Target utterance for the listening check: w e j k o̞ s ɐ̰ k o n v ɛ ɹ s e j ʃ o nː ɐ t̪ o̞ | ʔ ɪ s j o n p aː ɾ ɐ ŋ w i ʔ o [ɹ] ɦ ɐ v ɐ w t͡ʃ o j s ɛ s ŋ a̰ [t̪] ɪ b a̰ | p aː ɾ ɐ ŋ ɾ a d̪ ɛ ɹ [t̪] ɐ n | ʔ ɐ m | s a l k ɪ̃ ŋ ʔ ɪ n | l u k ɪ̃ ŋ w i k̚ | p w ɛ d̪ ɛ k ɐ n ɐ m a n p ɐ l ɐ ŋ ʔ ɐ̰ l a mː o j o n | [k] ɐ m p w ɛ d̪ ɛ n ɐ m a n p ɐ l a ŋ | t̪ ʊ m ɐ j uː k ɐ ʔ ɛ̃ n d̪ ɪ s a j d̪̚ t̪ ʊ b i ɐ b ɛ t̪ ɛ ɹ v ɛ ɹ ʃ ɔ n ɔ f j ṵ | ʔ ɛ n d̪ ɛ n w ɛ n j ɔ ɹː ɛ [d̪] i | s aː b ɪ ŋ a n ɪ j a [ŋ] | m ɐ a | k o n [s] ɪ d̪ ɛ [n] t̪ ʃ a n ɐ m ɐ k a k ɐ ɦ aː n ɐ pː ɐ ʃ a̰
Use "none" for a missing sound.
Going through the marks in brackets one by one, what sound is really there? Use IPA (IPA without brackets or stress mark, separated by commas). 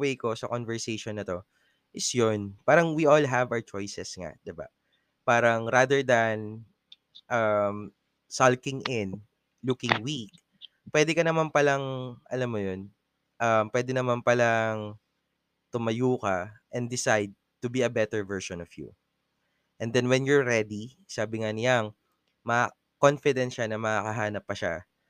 l, d̪, d̪, ʔ, d̪, ŋ, f, n